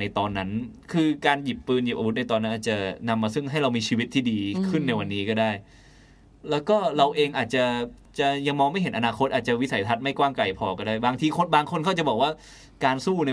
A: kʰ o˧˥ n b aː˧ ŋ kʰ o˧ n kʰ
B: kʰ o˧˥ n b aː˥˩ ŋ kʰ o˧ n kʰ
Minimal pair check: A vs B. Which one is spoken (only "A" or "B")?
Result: A